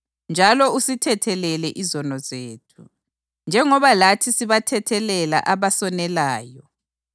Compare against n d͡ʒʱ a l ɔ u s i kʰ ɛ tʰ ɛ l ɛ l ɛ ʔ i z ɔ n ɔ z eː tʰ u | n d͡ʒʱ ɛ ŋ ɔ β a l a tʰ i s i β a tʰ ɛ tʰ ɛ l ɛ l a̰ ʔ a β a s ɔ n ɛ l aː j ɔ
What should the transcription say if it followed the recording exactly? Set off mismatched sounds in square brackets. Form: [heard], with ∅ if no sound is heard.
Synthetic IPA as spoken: n d͡ʒʱ a l ɔ u s i [tʰ] ɛ tʰ ɛ l ɛ l ɛ ʔ i z ɔ n ɔ z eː tʰ u | n d͡ʒʱ ɛ ŋ ɔ β a l a tʰ i s i β a tʰ ɛ tʰ ɛ l ɛ l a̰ ʔ a β a s ɔ n ɛ l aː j ɔ